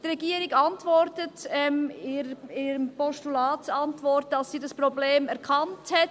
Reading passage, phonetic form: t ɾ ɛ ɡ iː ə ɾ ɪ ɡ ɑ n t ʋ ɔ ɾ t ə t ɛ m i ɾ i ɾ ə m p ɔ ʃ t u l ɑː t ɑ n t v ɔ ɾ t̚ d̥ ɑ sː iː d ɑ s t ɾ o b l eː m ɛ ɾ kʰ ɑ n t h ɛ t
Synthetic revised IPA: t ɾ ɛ ɡ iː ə ɾ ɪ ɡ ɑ n t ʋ ɔ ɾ t ə t ɛ m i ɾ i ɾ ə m p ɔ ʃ t u l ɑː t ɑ n t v ɔ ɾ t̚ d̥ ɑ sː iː d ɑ s p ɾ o b l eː m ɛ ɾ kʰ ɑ n t h ɛ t